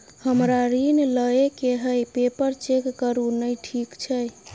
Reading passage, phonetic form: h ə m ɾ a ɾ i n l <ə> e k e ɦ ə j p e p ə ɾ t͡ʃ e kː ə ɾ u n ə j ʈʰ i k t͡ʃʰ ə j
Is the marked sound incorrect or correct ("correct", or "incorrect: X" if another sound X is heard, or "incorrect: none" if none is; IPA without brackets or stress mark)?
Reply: correct